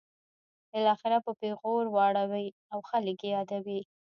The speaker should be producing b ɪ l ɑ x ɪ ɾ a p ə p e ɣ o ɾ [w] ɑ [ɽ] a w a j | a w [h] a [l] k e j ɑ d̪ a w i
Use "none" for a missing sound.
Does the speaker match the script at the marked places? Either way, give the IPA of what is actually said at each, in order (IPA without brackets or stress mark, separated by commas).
w, ɽ, x, l